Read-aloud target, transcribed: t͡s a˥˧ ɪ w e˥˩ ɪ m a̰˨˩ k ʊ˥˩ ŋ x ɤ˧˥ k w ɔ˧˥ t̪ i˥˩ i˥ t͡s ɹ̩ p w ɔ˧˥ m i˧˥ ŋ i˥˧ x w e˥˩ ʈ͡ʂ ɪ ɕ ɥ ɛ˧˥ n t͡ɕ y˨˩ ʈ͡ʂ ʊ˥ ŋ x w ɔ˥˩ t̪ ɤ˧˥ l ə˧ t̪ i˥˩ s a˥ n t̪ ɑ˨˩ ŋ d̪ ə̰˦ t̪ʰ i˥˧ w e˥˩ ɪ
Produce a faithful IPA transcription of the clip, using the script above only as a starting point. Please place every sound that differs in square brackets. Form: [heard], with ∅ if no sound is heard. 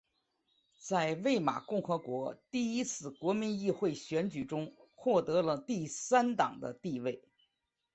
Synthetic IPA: t͡s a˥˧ ɪ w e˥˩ ɪ m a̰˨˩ k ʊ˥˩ ŋ x ɤ˧˥ k w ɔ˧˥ t̪ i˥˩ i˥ [t͡sʰ] ɹ̩ [k] w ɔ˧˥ m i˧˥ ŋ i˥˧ x w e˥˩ [∅] ɪ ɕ ɥ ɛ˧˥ n t͡ɕ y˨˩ ʈ͡ʂ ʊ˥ ŋ x w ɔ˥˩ t̪ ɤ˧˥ l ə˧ t̪ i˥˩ s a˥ n t̪ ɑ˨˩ ŋ d̪ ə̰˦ [t̪] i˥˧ w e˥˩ ɪ